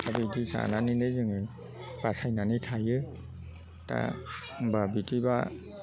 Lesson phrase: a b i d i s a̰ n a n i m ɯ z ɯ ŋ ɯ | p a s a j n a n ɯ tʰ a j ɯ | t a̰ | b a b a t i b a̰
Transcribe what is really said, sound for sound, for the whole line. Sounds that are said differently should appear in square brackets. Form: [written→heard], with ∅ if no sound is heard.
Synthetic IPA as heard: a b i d i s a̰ n a n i [m→n] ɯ z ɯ ŋ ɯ | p a s a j n a n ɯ tʰ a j ɯ | t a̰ | b a b [a→i] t i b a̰